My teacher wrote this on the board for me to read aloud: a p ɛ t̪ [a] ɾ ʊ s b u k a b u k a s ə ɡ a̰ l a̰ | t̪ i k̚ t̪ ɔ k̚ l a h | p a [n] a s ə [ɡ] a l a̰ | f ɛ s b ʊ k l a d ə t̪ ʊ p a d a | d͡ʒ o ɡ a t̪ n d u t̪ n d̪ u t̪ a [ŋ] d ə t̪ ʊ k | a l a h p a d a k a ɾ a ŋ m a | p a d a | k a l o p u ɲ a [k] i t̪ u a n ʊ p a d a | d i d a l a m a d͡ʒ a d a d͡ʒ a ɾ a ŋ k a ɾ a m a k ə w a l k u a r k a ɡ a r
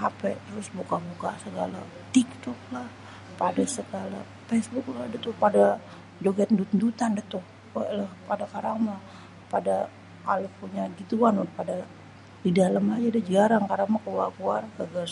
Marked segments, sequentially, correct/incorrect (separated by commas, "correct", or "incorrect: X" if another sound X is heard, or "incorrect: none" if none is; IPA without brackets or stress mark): incorrect: ə, incorrect: d, correct, incorrect: n, incorrect: ɡ